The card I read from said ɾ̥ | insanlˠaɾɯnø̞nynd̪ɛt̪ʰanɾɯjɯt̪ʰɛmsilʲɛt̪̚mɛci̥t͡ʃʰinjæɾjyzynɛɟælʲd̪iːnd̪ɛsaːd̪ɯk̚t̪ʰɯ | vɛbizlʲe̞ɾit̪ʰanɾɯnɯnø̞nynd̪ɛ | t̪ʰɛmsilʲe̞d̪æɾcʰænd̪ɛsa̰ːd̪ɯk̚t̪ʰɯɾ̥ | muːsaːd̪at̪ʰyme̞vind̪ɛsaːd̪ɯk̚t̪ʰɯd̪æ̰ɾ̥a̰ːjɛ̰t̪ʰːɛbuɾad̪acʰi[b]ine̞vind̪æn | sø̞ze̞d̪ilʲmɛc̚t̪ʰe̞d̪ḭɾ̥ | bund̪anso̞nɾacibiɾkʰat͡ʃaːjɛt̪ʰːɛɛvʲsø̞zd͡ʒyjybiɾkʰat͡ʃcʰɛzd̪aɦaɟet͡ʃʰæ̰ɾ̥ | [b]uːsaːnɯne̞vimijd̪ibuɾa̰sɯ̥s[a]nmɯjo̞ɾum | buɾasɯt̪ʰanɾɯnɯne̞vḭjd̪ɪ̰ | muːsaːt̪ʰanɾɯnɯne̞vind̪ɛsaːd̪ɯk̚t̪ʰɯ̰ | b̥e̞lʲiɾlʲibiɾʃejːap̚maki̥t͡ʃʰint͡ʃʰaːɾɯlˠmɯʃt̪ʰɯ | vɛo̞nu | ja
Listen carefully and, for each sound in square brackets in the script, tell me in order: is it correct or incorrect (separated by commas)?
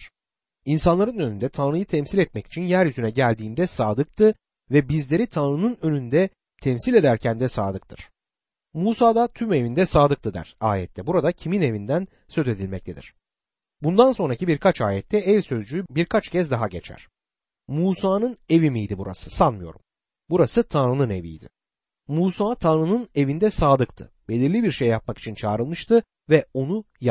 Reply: incorrect, incorrect, correct